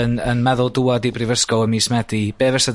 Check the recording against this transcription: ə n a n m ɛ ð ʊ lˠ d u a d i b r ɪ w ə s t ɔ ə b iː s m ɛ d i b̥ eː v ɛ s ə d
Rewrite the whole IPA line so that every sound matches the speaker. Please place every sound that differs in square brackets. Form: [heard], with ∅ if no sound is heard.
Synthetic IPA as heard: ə n [ə] n m ɛ ð ʊ lˠ d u a d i b r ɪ [v] ə s [k] ɔ ə [m] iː s m ɛ d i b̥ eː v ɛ s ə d